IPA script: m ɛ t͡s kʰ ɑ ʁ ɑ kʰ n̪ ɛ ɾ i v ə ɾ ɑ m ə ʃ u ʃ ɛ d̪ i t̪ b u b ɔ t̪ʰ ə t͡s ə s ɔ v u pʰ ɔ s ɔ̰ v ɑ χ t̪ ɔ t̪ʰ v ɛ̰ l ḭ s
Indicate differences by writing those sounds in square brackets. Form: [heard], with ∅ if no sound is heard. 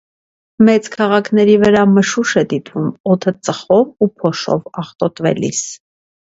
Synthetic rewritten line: m ɛ t͡s kʰ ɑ ʁ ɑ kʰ n̪ ɛ ɾ i v ə ɾ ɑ m ə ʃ u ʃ ɛ d̪ i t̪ [v] u [m] ɔ t̪ʰ ə t͡s ə [χ] ɔ v u pʰ ɔ [ʃ] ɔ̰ v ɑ χ t̪ ɔ [t̪] v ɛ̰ l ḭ s